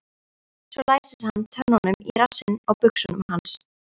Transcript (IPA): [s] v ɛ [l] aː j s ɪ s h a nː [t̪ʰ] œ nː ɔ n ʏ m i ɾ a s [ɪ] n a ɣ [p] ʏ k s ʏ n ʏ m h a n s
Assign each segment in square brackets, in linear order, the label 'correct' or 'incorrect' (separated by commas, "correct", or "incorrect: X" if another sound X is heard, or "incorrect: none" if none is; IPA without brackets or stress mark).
correct, correct, correct, correct, correct